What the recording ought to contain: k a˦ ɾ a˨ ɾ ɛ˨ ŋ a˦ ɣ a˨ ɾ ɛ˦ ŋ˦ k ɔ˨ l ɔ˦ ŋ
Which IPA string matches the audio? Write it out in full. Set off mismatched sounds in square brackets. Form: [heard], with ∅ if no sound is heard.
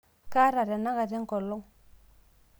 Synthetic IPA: k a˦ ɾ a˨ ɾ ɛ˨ [n] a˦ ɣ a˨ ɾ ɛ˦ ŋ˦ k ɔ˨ l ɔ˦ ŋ